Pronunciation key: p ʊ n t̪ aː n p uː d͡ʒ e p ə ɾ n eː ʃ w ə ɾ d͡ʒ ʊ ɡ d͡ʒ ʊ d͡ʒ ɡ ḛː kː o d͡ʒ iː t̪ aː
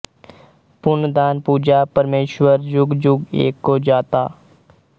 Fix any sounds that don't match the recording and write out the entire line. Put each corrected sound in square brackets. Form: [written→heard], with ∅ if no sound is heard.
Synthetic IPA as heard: p ʊ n [t̪→d̪] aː n p uː d͡ʒ [e→a] p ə ɾ [n→m] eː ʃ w ə ɾ d͡ʒ ʊ ɡ d͡ʒ ʊ [d͡ʒ→∅] ɡ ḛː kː o d͡ʒ [iː→aː] t̪ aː